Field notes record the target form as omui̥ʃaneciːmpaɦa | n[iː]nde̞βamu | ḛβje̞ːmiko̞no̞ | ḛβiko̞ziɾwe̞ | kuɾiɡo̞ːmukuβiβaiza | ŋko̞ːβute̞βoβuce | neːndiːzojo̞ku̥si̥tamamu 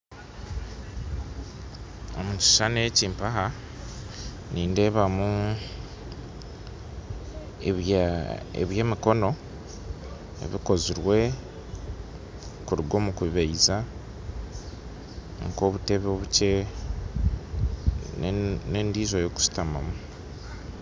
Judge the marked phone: correct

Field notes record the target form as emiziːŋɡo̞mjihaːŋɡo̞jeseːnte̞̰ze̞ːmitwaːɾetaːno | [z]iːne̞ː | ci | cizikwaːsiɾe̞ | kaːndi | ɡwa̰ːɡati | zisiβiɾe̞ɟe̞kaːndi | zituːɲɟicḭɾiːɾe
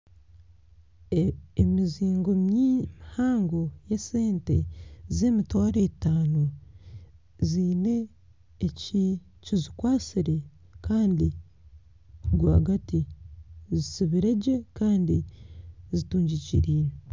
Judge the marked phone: correct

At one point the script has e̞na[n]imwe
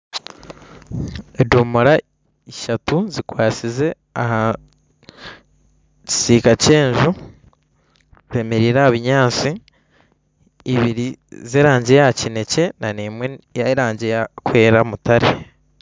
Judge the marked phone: correct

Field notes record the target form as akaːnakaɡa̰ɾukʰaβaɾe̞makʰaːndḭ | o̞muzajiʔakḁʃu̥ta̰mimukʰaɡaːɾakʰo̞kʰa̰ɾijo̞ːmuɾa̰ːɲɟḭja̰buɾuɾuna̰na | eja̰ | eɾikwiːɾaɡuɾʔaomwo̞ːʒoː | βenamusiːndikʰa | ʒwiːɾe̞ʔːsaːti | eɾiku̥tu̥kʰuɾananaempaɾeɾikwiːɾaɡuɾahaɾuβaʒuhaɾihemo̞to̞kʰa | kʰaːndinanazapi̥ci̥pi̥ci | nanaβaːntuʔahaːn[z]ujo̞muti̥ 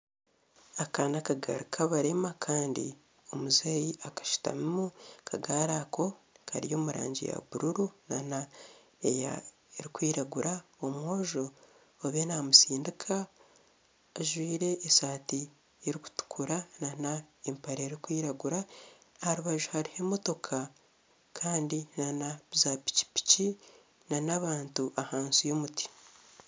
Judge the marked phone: incorrect: s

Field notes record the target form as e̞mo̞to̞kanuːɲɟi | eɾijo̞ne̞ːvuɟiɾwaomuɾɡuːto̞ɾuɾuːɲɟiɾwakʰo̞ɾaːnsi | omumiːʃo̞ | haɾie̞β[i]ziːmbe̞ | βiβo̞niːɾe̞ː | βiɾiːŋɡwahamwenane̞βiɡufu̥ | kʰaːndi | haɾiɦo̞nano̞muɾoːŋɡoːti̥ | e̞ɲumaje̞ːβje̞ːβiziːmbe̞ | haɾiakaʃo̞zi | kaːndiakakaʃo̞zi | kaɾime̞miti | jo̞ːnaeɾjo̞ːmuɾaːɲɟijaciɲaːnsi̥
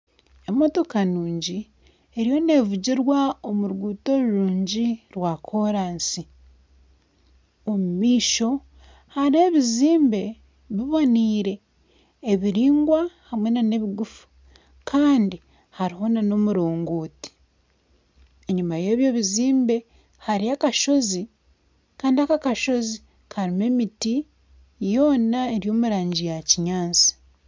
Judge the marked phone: correct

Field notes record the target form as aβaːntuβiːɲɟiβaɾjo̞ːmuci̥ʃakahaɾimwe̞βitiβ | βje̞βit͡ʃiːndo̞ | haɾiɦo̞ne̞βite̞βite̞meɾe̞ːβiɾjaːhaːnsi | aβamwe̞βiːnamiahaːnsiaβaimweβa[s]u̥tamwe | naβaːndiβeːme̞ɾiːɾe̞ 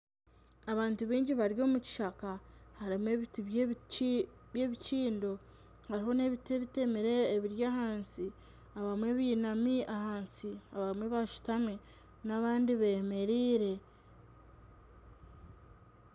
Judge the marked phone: incorrect: ʃ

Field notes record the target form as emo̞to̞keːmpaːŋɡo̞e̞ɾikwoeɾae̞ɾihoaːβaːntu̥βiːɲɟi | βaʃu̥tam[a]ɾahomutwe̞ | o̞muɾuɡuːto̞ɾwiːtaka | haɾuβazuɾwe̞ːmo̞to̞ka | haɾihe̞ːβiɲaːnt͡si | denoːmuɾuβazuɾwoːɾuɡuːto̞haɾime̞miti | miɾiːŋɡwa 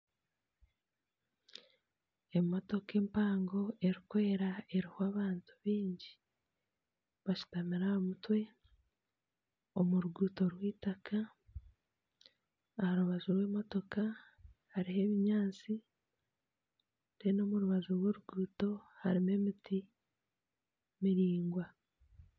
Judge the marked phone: incorrect: i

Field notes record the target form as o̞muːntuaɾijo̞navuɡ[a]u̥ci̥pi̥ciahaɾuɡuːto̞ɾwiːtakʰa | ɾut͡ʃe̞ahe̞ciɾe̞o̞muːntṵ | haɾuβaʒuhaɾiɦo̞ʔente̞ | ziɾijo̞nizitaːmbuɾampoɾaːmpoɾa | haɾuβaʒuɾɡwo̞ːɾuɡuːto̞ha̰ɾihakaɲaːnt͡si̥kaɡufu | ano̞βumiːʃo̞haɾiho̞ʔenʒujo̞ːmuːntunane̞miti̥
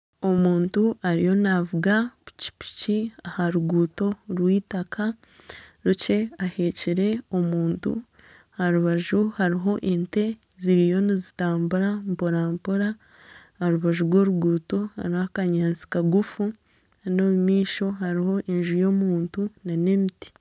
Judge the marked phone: correct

